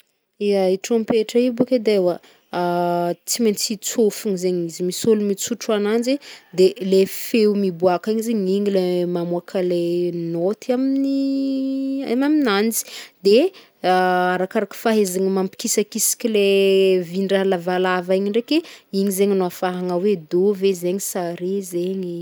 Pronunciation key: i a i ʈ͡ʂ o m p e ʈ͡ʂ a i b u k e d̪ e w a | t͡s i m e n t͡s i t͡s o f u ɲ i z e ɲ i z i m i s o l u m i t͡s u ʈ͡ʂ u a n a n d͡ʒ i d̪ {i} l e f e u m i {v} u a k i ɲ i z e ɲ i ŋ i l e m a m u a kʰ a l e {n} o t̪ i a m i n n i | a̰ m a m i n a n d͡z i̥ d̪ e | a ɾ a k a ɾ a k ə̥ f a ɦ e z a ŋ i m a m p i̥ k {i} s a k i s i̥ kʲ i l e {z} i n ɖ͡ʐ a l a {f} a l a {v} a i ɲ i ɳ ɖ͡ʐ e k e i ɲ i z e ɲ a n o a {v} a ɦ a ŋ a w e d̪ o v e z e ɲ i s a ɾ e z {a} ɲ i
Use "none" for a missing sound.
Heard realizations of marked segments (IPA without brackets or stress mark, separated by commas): e, b, n, i, v, v, v, f, e